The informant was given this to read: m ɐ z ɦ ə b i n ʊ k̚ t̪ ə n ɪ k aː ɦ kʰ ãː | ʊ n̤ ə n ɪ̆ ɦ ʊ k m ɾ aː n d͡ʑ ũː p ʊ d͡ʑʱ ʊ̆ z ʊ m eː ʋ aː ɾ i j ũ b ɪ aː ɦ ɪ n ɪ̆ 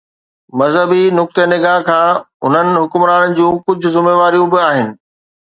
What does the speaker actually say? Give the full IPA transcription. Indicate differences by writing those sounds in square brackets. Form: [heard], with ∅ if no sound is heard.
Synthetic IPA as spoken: m ɐ z ɦ ə b i n ʊ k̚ t̪ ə n ɪ [ɡ] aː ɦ kʰ ãː | ʊ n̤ ə n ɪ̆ ɦ ʊ k m ɾ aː n d͡ʑ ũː [k] ʊ d͡ʑʱ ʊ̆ z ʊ m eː ʋ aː ɾ i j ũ b ɪ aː ɦ ɪ n ɪ̆